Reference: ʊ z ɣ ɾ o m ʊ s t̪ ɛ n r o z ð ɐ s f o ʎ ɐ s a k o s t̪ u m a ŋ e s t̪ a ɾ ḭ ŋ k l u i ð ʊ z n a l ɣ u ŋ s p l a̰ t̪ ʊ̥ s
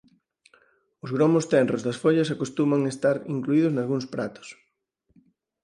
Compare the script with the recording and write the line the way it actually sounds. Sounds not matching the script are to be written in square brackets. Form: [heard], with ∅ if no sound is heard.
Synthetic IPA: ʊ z ɣ ɾ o m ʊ s t̪ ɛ n r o z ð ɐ s f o ʎ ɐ s a k o s t̪ u m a ŋ e s t̪ a ɾ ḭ ŋ k l u i ð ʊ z n a l ɣ u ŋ s p [ɾ] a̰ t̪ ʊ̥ s